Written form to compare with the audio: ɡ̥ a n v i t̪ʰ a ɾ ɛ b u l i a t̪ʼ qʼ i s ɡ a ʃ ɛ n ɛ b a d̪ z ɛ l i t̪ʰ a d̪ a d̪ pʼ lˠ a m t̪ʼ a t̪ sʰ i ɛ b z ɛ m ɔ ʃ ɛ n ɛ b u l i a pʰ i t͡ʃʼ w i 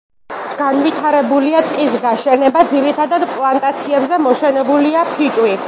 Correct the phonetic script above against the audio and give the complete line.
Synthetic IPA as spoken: ɡ̥ a n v i t̪ʰ a ɾ ɛ b u l i a t̪ʼ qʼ i s ɡ a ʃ ɛ n ɛ b a d̪ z i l i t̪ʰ a d̪ a d̪ pʼ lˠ a n t̪ʼ a t̪ sʰ i ɛ b z ɛ m ɔ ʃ ɛ n ɛ b u l i a pʰ i t͡ʃʼ w i